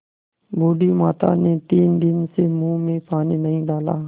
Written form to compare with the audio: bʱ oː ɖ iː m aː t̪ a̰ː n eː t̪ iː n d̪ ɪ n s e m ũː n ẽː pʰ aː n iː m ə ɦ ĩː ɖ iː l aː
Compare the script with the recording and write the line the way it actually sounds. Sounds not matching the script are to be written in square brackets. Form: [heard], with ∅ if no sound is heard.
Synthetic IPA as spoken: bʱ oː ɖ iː m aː t̪ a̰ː n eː t̪ iː n d̪ ɪ n s e m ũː [m] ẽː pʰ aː n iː [n] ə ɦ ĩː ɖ [aː] l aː